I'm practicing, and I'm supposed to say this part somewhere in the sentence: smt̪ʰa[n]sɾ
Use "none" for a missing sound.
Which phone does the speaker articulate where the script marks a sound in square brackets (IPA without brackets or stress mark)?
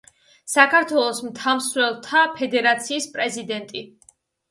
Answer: m